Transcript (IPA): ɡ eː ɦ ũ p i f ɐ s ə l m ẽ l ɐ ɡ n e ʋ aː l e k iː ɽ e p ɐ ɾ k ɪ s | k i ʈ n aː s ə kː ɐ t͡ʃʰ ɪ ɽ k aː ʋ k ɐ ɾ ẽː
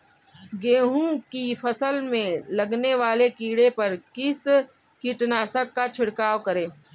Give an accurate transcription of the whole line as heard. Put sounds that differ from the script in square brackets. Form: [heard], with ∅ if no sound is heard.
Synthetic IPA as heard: ɡ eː ɦ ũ [k] i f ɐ s ə l m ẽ l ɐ ɡ n e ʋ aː l e k iː ɽ e p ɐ ɾ k ɪ s | k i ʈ n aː s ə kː [a] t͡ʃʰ ɪ ɽ k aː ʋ k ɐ ɾ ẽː